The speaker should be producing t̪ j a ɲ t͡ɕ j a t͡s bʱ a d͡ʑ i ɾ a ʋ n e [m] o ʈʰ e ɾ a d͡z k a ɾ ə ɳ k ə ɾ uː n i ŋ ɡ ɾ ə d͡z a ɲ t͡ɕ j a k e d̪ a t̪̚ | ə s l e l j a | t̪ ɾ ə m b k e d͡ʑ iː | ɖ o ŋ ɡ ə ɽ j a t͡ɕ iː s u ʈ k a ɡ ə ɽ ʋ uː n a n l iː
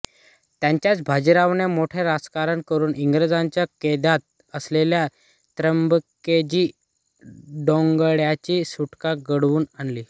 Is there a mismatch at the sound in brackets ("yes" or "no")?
no